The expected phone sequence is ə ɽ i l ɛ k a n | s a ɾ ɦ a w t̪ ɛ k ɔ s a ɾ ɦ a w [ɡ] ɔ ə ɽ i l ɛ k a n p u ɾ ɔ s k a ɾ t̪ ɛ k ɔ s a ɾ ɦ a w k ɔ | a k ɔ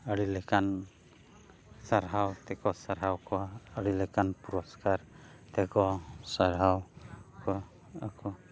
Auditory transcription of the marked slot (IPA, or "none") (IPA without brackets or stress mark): k